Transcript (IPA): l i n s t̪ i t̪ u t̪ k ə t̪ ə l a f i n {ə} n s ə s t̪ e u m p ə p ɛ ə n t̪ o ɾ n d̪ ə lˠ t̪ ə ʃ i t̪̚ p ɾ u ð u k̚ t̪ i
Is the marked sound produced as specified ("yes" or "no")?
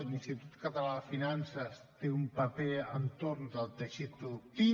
no